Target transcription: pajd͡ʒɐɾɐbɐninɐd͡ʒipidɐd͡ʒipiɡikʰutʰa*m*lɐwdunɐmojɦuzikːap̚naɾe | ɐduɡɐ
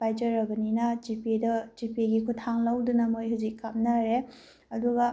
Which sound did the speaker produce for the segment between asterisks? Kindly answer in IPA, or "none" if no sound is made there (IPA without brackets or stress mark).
ŋ